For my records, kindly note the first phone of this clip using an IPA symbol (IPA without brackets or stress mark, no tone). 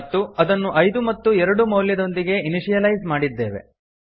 t̪ː